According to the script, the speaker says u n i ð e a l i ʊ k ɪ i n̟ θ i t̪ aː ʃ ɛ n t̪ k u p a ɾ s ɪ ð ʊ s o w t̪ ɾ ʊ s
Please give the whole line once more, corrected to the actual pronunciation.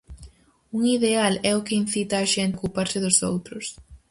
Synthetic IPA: u ŋ i ð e a l ɛ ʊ k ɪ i n̟ θ i t̪ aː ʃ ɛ n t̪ k u p a ɾ s ɪ ð ʊ s o w t̪ ɾ ʊ s